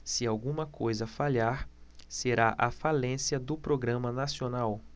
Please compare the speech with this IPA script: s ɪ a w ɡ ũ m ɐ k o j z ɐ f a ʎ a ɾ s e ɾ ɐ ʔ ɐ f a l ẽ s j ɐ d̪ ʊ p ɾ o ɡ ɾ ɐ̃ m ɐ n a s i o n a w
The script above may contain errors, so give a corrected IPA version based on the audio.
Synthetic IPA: s ɪ a w ɡ ũ m ɐ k o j z ɐ f a ʎ a ɾ s e ɾ a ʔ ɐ f a l ẽ s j ɐ d̪ ʊ p ɾ o ɡ ɾ ɐ̃ m ɐ n a s i o n a w